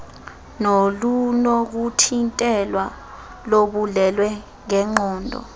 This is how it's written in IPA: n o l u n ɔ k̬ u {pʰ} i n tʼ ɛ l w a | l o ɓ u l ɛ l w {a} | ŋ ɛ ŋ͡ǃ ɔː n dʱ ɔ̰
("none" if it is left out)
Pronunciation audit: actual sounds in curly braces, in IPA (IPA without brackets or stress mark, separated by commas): tʰ, ɛ